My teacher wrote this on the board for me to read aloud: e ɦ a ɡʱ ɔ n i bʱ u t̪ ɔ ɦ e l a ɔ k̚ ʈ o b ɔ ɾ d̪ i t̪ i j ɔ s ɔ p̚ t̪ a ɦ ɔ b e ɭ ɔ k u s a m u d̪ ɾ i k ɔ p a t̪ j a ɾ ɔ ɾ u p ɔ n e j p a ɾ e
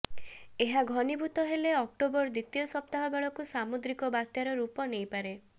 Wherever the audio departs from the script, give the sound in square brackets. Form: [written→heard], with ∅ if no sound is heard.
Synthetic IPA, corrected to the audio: e ɦ a ɡʱ ɔ n i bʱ u t̪ ɔ ɦ e l [a→e] ɔ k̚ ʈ o b ɔ ɾ d̪ i t̪ i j ɔ s ɔ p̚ t̪ a ɦ ɔ b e ɭ ɔ k u s a m u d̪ ɾ i k ɔ [p→b] a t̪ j a ɾ ɔ ɾ u p ɔ n e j p a ɾ e